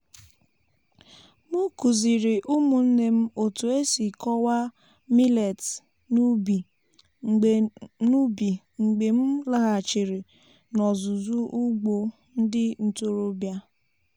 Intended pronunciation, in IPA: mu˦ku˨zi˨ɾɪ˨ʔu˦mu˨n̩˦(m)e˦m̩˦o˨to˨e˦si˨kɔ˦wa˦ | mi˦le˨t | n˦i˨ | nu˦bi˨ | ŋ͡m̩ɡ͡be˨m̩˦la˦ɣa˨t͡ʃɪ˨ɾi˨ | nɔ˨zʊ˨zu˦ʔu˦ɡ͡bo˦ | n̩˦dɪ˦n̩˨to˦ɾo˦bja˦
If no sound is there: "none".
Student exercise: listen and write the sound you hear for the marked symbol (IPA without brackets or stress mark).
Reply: n